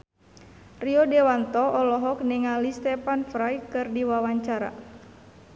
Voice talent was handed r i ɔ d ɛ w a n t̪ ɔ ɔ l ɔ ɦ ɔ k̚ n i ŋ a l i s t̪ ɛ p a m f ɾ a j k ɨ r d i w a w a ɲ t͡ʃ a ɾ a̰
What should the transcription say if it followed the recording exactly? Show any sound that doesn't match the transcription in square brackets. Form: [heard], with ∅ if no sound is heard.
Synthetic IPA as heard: r i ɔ d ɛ w a n t̪ ɔ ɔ l ɔ ɦ ɔ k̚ n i ŋ a l i s t̪ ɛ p a [n] f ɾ a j k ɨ r d i w a w a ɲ t͡ʃ a ɾ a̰